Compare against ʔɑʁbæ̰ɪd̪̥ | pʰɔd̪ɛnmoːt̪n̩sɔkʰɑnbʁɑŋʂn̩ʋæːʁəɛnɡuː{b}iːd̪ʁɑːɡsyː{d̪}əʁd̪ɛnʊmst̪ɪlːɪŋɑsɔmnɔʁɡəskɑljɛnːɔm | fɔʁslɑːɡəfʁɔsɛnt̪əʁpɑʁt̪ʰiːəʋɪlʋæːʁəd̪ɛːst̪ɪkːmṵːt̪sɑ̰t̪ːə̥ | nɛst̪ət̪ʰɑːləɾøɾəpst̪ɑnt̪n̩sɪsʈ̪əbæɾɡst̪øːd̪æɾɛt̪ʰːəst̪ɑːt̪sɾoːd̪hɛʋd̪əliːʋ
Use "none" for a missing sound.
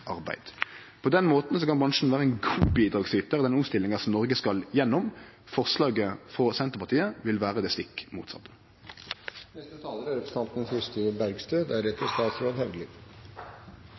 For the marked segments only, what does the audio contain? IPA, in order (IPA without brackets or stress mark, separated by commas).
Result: b, t̪